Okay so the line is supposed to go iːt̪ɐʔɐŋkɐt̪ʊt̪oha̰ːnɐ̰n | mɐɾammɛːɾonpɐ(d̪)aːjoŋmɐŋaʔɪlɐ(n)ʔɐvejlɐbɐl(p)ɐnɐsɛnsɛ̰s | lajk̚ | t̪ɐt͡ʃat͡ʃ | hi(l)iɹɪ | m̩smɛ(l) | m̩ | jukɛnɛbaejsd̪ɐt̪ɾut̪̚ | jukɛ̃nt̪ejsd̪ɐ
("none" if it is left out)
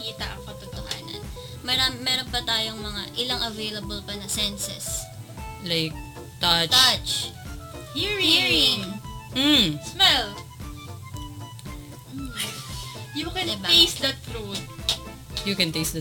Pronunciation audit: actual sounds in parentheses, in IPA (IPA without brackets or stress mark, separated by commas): t̪, ŋ, p, ɹ, l